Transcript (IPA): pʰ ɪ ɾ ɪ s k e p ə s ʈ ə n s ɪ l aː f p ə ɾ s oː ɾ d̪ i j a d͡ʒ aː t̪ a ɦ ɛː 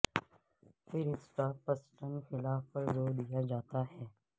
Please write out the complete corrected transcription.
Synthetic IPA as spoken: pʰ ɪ ɾ ɪ s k a p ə s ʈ ə n x ɪ l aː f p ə ɾ z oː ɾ d̪ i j a d͡ʒ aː t̪ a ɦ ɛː